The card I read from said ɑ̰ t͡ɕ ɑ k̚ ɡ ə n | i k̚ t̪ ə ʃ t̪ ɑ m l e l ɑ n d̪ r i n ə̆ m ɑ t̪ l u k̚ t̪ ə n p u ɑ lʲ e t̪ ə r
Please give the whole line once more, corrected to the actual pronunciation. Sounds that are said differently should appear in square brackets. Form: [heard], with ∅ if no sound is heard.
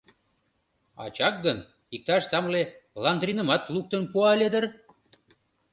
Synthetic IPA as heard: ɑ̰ t͡ɕ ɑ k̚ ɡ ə n | i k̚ t̪ [ɑ] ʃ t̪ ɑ m l e l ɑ n d̪ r i n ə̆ m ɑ t̪ l u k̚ t̪ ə n p u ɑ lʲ e [d̪] ə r